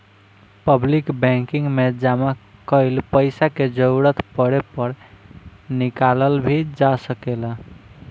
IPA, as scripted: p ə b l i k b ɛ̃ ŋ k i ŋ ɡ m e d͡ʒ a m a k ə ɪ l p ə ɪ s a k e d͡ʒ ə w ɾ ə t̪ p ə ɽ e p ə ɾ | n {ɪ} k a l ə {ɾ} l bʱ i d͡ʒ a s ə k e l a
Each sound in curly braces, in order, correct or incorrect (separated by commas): incorrect, incorrect